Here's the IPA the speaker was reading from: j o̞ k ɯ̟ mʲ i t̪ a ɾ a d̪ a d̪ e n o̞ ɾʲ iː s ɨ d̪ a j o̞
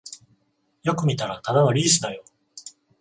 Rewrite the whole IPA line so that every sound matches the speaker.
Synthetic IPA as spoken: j o̞ k ɯ̟ mʲ i t̪ a ɾ a t̪ a d̪ a n o̞ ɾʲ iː s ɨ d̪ a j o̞